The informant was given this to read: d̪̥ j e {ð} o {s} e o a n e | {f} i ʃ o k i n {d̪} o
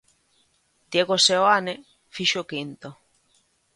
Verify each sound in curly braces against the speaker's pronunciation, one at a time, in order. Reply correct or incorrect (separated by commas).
incorrect, correct, correct, incorrect